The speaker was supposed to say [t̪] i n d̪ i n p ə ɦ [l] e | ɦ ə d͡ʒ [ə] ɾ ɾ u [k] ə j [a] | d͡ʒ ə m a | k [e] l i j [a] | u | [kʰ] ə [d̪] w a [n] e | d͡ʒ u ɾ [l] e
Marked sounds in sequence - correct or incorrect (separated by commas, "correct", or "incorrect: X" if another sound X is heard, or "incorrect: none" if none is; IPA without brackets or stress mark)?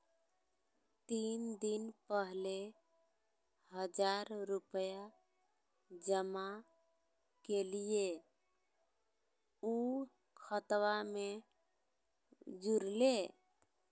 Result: correct, correct, incorrect: a, incorrect: p, correct, correct, incorrect: e, correct, incorrect: t̪, incorrect: m, correct